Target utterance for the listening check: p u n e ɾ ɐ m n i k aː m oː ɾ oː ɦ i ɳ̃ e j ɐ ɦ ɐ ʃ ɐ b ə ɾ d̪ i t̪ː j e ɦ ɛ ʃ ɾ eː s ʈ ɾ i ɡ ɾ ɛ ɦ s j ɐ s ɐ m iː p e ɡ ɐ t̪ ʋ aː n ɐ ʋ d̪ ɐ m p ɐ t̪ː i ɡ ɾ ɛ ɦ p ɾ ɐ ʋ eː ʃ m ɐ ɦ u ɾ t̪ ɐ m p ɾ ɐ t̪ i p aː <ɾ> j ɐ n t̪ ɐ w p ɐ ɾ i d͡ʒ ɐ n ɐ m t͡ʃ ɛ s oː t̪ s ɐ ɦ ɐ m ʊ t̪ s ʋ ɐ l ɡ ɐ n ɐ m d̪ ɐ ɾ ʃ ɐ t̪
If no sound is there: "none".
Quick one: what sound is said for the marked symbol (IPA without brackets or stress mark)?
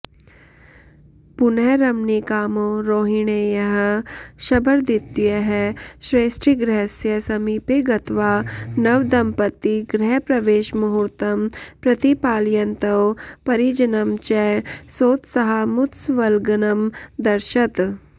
l